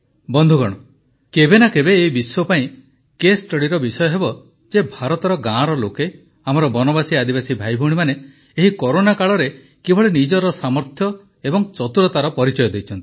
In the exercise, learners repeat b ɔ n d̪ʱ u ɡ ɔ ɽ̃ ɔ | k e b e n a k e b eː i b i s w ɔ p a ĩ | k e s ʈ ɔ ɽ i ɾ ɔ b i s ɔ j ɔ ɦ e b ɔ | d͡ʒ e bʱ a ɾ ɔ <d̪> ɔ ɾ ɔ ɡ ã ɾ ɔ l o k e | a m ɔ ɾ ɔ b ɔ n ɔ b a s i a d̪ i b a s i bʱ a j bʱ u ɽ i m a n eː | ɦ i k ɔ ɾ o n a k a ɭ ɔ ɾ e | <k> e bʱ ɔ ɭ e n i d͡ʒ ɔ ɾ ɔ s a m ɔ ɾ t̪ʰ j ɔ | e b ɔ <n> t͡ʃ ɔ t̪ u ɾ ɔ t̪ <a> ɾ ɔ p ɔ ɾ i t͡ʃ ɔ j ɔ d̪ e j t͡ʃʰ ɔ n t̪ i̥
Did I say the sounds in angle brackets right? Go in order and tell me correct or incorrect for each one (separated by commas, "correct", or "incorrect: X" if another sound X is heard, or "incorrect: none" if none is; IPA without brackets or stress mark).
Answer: incorrect: t̪, correct, incorrect: ŋ, correct